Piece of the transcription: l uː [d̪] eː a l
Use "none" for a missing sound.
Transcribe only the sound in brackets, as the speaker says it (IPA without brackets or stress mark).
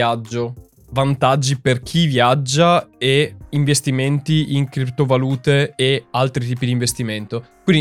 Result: t̪